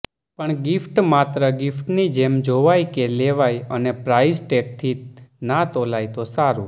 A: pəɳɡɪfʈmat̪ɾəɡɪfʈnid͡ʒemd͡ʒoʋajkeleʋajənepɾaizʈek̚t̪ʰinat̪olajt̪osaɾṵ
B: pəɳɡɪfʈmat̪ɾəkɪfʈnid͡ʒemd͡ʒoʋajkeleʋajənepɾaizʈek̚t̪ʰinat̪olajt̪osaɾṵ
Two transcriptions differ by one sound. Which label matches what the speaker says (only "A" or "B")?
A